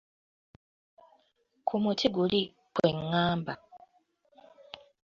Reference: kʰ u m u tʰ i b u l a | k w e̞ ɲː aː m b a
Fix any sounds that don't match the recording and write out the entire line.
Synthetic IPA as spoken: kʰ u m u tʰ i ɡ u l i | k w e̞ ŋː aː m b a